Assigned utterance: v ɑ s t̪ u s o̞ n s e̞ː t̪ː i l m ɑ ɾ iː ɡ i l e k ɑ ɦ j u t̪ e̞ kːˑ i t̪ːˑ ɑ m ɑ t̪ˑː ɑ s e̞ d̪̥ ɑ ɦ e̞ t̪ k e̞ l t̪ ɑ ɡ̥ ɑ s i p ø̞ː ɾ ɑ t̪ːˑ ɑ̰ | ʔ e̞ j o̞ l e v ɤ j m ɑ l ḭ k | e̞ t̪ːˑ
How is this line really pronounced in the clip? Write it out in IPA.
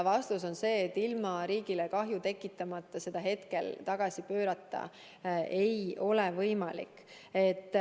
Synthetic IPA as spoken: v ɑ s t̪ u s o̞ n s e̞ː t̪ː i l m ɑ ɾ iː ɡ i l e k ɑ ɦ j u t̪ e̞ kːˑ i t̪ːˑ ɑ m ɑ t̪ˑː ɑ s e̞ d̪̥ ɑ ɦ e̞ t̪ k e̞ l t̪ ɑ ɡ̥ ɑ s i p ø̞ː ɾ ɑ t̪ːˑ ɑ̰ | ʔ e̞ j o̞ l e v ɤ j m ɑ l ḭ k | e̞ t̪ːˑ